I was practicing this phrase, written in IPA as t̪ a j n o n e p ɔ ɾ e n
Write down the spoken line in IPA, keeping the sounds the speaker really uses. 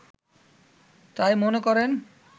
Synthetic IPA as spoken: t̪ a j m o n e k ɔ ɾ e n